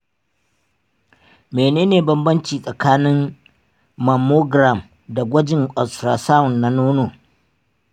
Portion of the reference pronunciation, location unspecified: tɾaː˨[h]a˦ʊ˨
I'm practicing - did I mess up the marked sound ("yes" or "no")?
yes